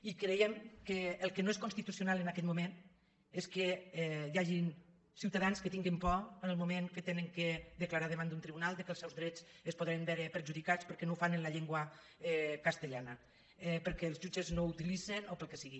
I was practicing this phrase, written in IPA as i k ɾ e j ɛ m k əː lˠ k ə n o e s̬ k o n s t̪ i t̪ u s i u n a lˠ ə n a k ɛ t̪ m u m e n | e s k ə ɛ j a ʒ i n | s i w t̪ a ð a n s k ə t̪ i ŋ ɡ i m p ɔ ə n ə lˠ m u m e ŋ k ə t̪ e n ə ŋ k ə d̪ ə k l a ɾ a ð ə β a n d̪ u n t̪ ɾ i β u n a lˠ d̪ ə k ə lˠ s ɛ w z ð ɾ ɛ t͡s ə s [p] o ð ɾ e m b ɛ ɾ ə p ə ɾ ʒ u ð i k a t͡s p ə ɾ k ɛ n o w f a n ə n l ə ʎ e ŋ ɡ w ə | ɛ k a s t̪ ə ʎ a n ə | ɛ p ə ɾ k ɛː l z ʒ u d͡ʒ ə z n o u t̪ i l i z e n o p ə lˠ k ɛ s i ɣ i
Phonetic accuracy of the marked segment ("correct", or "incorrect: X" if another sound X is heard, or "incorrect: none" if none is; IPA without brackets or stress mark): correct